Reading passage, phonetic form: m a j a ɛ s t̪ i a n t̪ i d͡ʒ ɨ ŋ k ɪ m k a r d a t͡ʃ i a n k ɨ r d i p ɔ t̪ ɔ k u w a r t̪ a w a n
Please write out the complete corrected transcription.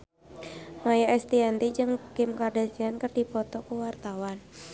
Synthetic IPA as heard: m a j a ɛ s t̪ i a n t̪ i d͡ʒ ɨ ŋ k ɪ m k a r d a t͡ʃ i a n k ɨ r d i p ɔ t̪ ɔ k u w a r t̪ a w a n